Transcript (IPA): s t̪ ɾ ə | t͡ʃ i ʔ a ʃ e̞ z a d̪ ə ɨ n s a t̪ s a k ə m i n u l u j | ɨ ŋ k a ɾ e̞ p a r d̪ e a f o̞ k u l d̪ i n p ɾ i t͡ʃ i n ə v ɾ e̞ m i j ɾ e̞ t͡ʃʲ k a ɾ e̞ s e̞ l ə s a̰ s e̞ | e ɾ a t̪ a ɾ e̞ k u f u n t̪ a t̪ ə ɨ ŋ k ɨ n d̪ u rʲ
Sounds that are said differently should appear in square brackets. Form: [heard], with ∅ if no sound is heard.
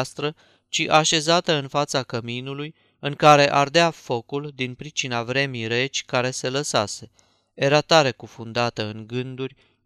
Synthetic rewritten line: s t̪ ɾ ə | t͡ʃ i ʔ a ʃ e̞ z a [t̪] ə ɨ n [f] a t̪ s a k ə m i n u l u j | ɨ ŋ k a ɾ e̞ [ʔ] a r d̪ e a f o̞ k u l d̪ i n p ɾ i t͡ʃ i n [a] v ɾ e̞ m i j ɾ e̞ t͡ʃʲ k a ɾ e̞ s e̞ l ə s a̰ s e̞ | e ɾ a t̪ a ɾ e̞ k u f u n [d̪] a t̪ ə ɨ ŋ [ɡ] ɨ n d̪ u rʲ